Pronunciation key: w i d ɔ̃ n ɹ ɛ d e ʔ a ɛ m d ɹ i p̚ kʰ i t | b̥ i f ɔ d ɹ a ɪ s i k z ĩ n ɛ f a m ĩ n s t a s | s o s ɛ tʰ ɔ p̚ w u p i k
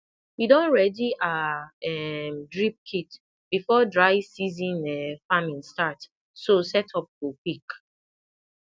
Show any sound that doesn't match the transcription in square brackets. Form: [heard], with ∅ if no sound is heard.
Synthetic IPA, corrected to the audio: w i d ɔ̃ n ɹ ɛ d [i] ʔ a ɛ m d ɹ i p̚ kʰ i t | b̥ i f ɔ d ɹ a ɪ s i [∅] z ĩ n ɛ f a m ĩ n s t a [t] | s o s ɛ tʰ ɔ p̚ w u p i k